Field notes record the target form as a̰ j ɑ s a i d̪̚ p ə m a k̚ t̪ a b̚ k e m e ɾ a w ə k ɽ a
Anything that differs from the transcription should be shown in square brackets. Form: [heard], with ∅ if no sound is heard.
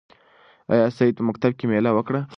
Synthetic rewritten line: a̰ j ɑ s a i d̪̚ p ə m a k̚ t̪ a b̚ k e m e [l] a w ə k ɽ a